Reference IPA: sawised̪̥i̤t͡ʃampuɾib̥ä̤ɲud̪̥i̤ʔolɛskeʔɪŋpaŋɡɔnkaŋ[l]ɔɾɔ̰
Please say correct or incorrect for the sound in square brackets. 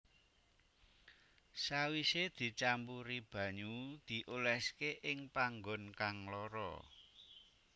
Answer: correct